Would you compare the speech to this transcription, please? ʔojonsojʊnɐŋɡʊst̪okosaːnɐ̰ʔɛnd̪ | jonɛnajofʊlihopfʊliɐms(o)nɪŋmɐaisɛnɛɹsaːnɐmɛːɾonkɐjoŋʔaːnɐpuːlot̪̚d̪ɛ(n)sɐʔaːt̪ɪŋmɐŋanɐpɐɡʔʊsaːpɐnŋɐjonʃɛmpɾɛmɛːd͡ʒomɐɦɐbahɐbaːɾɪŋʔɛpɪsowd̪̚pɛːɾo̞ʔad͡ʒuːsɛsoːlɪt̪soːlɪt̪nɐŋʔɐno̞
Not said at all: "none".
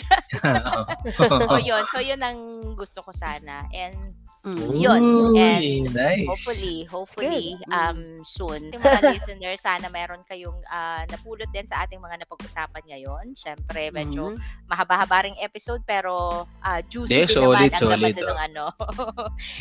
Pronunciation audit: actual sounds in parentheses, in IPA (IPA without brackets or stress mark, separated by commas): u, n